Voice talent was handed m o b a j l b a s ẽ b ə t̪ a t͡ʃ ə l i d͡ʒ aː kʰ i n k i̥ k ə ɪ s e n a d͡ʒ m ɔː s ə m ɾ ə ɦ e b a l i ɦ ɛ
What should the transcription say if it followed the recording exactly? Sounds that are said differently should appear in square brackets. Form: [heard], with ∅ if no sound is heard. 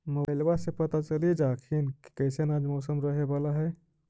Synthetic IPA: m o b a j l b a s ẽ [p] ə t̪ a t͡ʃ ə l i d͡ʒ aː kʰ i n k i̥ k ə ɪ s e n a d͡ʒ m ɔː s ə m ɾ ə ɦ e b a l [a] ɦ ɛ

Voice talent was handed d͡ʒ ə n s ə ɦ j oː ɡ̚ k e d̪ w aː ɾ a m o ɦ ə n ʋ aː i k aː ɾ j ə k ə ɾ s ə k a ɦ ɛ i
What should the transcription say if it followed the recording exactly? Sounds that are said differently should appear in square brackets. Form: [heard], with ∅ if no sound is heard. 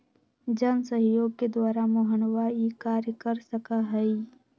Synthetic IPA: d͡ʒ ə n s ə ɦ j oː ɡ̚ k e d̪ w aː ɾ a m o ɦ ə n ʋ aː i k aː ɾ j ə k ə ɾ s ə k a ɦ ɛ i

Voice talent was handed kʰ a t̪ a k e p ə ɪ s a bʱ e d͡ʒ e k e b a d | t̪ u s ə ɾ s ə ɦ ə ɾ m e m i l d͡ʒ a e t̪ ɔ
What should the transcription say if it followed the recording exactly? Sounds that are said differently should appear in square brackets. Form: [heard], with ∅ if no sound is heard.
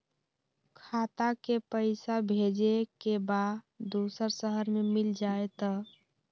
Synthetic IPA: kʰ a t̪ a k e p ə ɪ s a bʱ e d͡ʒ e k e b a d | [d̪] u s ə ɾ s ə ɦ ə ɾ m e m i l d͡ʒ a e t̪ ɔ

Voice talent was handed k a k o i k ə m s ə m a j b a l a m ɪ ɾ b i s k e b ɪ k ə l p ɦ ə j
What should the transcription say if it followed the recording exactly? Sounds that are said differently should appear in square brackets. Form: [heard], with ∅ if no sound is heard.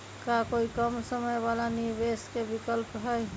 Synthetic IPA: k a k o i k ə m s ə m [ə] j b a l a [n] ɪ ɾ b [e] s k e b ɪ k ə l p ɦ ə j

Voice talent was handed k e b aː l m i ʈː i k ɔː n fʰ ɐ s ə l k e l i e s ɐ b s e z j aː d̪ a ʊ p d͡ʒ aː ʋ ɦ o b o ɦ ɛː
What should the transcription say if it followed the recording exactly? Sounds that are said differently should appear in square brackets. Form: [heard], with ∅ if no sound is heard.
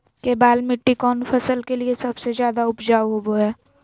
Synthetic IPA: k e b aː l m [ɪ] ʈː i k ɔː n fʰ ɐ s ə l k e l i e s ɐ b s e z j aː d̪ a ʊ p d͡ʒ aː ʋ ɦ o b o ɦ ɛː

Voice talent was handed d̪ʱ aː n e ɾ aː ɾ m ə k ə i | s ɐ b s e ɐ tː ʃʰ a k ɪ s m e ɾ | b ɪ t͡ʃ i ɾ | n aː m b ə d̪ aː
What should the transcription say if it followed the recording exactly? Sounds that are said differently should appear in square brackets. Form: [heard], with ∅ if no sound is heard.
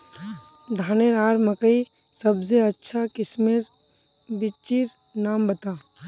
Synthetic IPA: d̪ʱ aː n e ɾ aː ɾ m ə k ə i | s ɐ b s e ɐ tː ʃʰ a k ɪ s m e ɾ | b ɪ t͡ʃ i ɾ | n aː m b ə [t̪] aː

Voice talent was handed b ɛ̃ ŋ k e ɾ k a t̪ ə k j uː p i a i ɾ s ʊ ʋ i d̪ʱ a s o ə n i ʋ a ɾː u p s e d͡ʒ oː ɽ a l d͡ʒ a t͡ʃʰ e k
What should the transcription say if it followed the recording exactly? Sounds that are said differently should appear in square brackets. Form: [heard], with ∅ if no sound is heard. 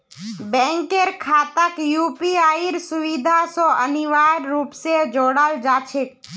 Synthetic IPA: b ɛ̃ ŋ k e ɾ [kʰ] a t̪ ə k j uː p i a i ɾ s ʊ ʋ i d̪ʱ a s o ə n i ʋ a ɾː u p s e d͡ʒ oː ɽ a l d͡ʒ a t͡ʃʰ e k

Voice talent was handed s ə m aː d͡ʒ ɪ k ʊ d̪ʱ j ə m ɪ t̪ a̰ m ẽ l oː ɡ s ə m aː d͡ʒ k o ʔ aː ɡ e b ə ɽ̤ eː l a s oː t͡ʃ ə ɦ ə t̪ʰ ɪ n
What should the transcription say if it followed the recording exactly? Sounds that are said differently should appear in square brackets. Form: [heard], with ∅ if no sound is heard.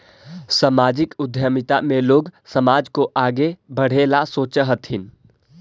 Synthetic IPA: s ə m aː d͡ʒ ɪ k ʊ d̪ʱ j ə m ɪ t̪ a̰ m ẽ l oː ɡ s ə m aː d͡ʒ k o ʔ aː ɡ e b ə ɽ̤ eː l a s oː t͡ʃ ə ɦ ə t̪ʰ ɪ n

